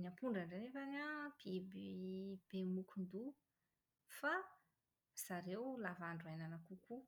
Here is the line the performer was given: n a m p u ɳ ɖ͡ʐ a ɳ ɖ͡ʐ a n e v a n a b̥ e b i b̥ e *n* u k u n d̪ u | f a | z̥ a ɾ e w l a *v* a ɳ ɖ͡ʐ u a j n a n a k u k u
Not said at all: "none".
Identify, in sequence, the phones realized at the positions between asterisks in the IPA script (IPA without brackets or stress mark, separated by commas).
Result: m, v